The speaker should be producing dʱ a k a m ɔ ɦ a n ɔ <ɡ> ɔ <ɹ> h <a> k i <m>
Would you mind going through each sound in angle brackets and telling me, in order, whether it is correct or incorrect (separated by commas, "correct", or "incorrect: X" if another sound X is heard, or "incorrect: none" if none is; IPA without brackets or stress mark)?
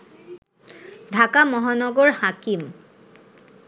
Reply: correct, correct, correct, correct